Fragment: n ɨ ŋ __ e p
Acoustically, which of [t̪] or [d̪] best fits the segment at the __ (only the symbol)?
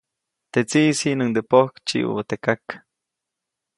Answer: d̪